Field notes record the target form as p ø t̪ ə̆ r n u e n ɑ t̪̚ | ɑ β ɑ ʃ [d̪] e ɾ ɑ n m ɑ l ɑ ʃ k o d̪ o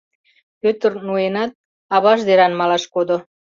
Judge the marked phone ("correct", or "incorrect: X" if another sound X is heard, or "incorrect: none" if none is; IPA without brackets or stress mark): correct